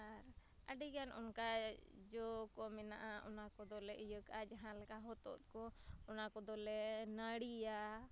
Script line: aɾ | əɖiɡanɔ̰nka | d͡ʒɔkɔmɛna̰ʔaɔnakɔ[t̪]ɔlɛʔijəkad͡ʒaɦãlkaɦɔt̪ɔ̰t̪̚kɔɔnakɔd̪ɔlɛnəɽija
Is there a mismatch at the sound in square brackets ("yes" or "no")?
yes